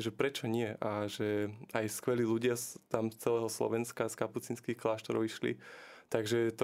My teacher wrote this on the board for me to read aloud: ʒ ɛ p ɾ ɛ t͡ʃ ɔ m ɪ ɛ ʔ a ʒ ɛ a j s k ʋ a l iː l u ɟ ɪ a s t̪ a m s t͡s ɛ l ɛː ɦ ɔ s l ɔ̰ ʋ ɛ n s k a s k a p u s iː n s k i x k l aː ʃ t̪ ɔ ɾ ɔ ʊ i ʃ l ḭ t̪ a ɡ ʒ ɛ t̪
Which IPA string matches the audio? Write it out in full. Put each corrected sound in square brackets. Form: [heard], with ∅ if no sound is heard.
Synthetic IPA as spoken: ʒ ɛ p ɾ ɛ t͡ʃ ɔ [ɲ] ɪ ɛ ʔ a ʒ ɛ a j s k ʋ [ɛ] l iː l u ɟ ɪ a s t̪ a m s t͡s ɛ l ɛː ɦ ɔ s l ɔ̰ ʋ ɛ n s k a s k a p u [t͡s] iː n s k i x k l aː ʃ t̪ ɔ ɾ ɔ ʊ i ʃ l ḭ t̪ a ɡ ʒ ɛ t̪